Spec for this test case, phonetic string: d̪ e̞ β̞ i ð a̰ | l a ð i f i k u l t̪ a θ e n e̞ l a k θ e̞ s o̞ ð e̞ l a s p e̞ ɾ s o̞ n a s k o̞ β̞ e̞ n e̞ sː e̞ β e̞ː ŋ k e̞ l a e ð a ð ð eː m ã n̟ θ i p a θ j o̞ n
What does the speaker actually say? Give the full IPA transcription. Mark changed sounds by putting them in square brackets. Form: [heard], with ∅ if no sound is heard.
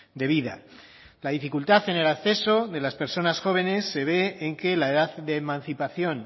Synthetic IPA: d̪ e̞ β̞ i ð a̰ | l a ð i f i k u l t̪ a θ e n e̞ l a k θ e̞ s o̞ ð e̞ l a s p e̞ ɾ s o̞ n a s [x] o̞ β̞ e̞ n e̞ sː e̞ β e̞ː ŋ k e̞ l a e ð a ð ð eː m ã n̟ θ i p a θ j o̞ n